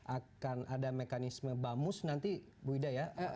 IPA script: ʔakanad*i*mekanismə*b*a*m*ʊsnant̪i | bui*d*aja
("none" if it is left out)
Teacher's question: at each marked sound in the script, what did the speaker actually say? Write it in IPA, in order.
a, b, m, d

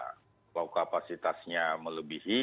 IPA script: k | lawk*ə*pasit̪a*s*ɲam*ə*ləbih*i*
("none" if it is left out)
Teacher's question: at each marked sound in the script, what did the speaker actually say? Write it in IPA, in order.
a, s, ə, i

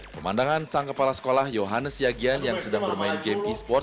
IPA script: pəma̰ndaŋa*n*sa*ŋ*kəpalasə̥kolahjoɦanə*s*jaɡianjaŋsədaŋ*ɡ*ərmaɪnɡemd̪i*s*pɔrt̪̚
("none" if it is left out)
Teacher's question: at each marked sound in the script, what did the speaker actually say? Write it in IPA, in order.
n, ŋ, s, b, s

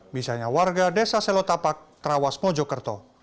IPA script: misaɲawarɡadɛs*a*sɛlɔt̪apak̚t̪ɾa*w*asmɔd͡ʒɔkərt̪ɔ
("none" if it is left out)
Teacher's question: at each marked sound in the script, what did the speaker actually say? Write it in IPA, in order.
a, w

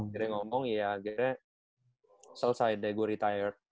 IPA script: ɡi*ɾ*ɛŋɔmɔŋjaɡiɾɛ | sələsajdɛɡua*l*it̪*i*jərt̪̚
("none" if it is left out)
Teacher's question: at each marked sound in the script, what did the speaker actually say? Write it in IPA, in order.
ɾ, ɾ, a

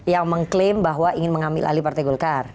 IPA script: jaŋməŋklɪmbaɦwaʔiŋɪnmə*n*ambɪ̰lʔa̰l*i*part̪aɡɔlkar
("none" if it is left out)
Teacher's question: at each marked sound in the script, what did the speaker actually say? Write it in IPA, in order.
ŋ, i

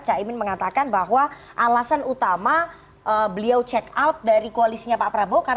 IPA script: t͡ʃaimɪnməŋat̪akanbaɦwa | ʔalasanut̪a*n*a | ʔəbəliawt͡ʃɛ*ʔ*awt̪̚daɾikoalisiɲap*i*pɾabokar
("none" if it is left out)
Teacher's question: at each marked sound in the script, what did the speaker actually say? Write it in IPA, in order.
m, k, a

